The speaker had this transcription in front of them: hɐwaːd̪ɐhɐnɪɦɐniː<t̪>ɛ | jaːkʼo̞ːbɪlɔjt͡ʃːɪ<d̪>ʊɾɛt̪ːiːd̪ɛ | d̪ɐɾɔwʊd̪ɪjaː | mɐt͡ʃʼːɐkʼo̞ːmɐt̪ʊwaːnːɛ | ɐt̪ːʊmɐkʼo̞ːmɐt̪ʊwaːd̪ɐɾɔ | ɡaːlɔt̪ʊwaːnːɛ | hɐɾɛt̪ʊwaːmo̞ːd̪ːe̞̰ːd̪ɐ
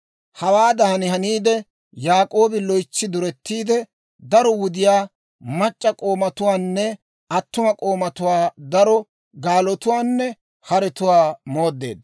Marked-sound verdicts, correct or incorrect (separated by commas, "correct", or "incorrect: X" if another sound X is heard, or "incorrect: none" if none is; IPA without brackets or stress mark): incorrect: d̪, correct